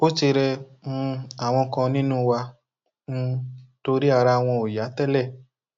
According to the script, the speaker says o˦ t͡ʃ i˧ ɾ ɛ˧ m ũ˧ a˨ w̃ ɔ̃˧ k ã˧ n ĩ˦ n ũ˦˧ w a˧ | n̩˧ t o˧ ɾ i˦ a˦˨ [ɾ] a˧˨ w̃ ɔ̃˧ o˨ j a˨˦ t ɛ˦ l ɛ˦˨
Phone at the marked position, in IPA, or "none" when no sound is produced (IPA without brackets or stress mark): ɾ